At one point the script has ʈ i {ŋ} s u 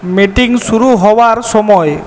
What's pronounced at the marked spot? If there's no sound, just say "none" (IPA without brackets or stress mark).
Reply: ŋ